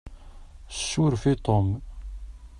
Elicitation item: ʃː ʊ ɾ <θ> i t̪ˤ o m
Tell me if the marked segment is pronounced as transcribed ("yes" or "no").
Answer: no